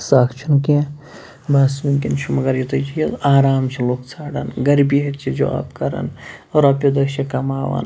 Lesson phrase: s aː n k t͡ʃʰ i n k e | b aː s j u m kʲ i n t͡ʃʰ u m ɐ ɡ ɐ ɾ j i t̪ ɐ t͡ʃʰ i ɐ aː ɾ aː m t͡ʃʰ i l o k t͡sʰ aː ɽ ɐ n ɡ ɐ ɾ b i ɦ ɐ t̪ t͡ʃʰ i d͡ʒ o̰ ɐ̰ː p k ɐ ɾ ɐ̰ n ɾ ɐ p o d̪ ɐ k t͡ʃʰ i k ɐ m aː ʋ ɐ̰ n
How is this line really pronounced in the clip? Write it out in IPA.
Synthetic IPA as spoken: s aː k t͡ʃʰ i n k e | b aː s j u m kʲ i n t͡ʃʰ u m ɐ ɡ ɐ ɾ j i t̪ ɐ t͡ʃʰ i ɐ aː ɾ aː m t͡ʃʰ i l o k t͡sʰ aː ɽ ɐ n ɡ ɐ ɾ b i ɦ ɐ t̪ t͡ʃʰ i d͡ʒ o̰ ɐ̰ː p k ɐ ɾ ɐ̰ n ɾ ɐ p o d̪ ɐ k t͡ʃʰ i k ɐ m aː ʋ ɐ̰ n